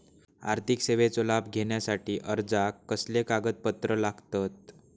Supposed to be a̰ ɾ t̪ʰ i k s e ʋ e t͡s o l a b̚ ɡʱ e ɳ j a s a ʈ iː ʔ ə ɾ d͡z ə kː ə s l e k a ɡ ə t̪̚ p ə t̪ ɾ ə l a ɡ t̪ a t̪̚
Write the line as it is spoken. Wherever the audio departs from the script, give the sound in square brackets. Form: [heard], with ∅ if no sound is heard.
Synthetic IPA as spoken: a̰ ɾ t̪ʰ i k s e ʋ e t͡s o l a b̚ ɡʱ e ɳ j a s a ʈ iː ʔ ə ɾ d͡z [a] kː ə s l e k a ɡ ə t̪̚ p ə t̪ ɾ ə l a ɡ t̪ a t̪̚